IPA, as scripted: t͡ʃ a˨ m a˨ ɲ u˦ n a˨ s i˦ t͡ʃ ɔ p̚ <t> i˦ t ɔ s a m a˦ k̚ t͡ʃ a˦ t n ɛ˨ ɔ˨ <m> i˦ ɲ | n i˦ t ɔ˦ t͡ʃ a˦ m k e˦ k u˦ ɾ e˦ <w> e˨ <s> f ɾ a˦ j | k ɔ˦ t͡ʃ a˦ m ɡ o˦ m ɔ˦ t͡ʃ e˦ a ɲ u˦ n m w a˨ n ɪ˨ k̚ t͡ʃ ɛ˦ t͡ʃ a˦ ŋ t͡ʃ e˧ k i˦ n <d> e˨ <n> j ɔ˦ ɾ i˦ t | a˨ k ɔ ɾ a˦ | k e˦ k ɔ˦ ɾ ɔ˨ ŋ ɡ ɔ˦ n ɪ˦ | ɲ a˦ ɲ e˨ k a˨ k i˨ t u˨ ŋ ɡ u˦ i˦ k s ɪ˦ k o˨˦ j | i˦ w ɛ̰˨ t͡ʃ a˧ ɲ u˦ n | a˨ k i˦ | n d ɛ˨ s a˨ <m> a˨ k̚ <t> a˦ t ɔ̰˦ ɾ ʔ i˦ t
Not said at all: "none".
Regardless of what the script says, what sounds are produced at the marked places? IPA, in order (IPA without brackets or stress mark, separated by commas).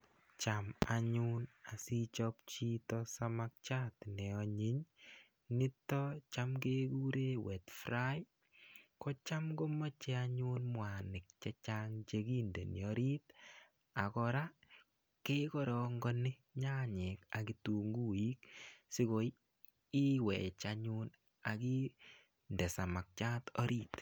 t͡ʃ, ɲ, w, t, d, n, m, t͡ʃ